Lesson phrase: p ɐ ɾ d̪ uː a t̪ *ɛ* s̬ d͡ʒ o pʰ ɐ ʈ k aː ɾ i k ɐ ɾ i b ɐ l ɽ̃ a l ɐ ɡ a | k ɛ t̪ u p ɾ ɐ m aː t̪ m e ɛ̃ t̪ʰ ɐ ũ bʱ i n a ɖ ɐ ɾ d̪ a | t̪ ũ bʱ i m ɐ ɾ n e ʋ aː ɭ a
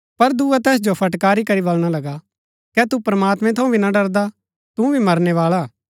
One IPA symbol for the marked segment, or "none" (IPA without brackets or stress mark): ɛː